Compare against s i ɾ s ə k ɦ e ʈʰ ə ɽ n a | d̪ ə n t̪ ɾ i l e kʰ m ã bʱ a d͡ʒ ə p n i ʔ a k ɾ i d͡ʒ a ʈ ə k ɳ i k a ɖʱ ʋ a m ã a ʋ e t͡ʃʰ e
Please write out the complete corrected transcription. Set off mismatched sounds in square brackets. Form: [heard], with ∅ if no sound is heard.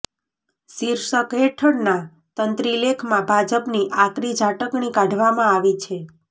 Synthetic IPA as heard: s i ɾ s ə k ɦ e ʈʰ ə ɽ n a | [t̪] ə n t̪ ɾ i l e kʰ m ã bʱ a d͡ʒ ə p n i ʔ a k ɾ i d͡ʒ a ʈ ə k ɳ i k a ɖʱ ʋ a m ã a ʋ [i] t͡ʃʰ e